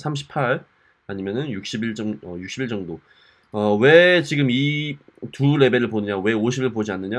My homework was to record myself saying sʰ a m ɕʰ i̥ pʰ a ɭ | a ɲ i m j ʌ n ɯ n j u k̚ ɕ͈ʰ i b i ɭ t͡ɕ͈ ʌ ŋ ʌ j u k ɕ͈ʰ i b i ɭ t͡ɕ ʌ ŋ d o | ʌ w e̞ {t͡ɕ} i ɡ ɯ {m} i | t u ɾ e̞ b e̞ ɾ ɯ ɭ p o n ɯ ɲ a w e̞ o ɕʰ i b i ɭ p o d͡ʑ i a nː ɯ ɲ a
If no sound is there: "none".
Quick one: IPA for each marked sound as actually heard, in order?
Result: t͡ɕ, m

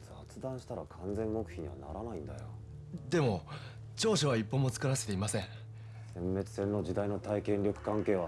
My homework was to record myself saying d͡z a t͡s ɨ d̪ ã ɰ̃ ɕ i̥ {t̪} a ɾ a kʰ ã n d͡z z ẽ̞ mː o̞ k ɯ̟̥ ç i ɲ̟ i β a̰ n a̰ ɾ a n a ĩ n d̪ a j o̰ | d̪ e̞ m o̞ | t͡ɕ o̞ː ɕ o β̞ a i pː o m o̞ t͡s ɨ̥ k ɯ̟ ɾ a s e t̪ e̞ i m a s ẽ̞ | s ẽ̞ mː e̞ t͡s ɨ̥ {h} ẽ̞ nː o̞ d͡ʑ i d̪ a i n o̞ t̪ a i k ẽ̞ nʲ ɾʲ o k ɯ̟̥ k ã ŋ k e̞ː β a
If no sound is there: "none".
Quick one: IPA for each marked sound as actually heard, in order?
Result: t̪, s

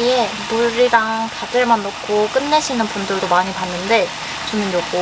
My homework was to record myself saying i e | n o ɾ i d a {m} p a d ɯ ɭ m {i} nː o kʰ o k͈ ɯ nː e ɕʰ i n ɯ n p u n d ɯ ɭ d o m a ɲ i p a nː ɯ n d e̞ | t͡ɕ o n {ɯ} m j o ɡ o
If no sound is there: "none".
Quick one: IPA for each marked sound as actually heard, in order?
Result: ŋ, a, ɯ

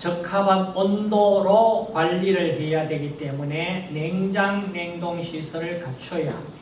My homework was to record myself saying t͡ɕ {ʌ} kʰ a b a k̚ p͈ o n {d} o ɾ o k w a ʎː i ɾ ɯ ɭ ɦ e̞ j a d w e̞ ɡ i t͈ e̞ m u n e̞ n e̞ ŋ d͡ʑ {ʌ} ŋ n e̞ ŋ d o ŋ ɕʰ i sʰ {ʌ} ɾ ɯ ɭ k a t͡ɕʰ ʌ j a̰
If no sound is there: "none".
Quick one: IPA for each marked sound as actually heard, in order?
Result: ʌ, d, a, ʌ

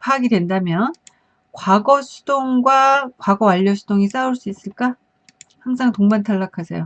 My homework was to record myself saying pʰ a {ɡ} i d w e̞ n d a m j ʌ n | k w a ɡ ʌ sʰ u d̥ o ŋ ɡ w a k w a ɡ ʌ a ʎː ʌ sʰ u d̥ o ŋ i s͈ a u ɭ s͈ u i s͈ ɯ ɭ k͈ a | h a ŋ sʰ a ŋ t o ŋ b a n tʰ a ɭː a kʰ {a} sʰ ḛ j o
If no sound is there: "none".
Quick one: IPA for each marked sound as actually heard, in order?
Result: ɡ, a

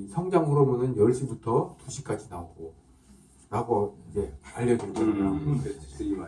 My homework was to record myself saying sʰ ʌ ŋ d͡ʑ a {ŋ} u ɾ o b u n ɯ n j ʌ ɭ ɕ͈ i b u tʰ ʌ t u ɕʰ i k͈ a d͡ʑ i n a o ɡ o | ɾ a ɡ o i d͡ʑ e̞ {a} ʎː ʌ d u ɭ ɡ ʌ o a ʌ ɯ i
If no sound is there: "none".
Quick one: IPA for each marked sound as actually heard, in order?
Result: ŋ, a

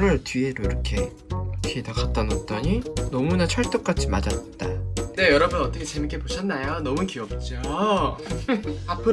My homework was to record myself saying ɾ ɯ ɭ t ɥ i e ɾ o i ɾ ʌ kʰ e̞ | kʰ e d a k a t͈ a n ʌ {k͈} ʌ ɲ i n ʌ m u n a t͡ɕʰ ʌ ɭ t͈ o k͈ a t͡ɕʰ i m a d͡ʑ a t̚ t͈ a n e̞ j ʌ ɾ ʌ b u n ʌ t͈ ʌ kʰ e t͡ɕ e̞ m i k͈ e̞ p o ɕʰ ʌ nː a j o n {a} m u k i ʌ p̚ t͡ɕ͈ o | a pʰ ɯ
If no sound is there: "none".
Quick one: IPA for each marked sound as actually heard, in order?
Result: t͈, ʌ

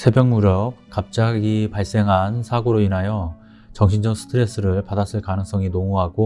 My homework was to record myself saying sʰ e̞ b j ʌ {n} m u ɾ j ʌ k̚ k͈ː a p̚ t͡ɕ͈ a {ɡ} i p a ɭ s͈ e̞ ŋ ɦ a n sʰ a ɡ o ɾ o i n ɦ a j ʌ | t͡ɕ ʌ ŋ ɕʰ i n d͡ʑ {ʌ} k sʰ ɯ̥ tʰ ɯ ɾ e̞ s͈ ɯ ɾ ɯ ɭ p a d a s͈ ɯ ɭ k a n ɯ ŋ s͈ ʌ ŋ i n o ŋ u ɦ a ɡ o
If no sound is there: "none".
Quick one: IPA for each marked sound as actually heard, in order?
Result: ŋ, ɡ, ʌ

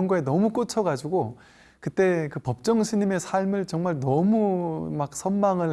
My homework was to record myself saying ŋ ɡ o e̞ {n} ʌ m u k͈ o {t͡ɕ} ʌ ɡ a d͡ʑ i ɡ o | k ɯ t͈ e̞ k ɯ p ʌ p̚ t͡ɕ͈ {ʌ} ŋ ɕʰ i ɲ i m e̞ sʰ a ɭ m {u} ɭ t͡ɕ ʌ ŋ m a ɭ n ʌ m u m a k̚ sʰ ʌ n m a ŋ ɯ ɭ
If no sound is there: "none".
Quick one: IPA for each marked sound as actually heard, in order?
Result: n, t͡ɕʰ, ʌ, ɯ

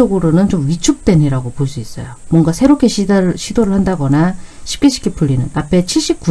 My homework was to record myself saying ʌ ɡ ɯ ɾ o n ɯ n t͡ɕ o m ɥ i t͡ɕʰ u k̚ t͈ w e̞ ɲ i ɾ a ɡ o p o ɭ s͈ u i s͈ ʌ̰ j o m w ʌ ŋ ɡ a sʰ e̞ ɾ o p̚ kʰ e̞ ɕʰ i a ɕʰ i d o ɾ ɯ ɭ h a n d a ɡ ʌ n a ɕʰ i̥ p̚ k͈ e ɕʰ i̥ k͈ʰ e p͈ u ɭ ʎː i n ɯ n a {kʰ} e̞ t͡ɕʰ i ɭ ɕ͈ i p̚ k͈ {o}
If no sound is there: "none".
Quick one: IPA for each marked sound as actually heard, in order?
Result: pʰ, u

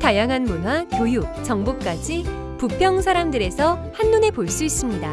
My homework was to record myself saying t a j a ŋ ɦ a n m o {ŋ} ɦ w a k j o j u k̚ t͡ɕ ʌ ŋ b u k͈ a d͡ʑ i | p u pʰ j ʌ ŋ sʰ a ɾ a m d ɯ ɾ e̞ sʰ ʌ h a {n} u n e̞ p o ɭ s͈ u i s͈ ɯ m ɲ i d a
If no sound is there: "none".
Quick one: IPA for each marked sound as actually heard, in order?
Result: n, nː

